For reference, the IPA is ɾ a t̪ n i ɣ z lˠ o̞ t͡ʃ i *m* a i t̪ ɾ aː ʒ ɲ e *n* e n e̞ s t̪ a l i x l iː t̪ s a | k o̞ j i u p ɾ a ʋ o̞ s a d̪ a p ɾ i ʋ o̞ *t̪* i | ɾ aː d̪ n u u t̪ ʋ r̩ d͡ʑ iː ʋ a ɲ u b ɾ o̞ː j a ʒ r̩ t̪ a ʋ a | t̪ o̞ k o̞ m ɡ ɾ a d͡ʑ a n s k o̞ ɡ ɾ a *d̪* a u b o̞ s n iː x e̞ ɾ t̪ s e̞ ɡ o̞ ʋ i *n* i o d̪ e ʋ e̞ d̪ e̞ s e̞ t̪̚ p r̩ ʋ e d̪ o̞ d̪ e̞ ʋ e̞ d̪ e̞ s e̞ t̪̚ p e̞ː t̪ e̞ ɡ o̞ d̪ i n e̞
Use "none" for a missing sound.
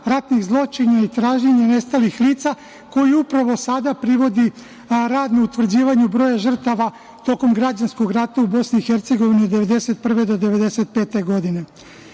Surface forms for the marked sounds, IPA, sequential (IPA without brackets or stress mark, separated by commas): ɲ, ɲ, d̪, t̪, n